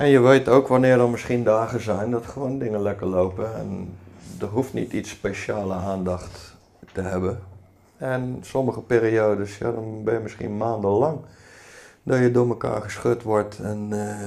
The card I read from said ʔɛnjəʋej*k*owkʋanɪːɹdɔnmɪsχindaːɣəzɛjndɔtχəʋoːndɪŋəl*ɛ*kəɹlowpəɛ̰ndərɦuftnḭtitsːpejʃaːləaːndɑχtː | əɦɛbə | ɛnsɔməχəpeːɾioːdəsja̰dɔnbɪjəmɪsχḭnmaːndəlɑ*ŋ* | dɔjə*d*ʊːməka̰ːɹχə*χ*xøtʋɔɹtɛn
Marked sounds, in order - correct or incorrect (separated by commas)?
incorrect, correct, correct, correct, incorrect